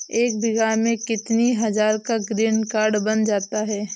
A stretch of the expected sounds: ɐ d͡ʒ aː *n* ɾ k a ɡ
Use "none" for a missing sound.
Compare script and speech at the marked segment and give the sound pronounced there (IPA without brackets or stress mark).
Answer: none